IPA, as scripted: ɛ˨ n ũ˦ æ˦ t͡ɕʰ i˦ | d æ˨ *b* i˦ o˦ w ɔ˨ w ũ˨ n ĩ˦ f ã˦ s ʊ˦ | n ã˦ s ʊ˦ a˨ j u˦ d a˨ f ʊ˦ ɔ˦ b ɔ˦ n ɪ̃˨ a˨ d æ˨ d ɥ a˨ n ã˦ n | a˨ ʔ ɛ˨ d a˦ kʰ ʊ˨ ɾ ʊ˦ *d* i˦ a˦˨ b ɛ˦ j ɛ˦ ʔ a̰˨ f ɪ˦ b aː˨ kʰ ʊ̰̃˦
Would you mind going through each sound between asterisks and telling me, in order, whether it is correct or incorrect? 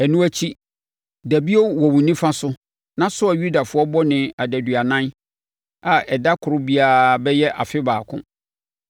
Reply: correct, incorrect: b

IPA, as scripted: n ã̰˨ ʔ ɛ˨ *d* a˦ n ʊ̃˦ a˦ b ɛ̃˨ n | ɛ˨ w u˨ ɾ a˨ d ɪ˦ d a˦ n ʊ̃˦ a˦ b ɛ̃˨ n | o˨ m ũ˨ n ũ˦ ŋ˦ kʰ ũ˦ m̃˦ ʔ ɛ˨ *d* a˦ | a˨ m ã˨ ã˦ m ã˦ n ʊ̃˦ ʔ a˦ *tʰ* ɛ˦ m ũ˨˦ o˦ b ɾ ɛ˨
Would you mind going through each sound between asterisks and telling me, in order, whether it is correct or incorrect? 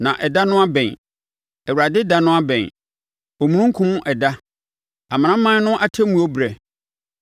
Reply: correct, correct, correct

